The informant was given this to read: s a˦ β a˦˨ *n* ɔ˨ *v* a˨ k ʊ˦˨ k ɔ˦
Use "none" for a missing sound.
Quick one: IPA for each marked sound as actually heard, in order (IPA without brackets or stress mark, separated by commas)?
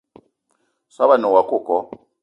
n, w